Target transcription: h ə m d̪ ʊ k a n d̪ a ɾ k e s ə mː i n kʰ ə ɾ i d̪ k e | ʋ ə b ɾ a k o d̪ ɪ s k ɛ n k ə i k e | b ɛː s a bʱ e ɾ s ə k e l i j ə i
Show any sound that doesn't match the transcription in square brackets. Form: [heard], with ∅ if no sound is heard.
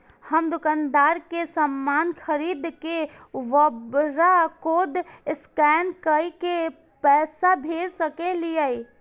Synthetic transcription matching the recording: h ə m d̪ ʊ k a n d̪ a ɾ k e s ə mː [a] n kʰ ə ɾ i d̪ k e | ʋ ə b ɾ a k o d̪ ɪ s k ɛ n k ə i k e | [p] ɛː s a bʱ e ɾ s ə k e l i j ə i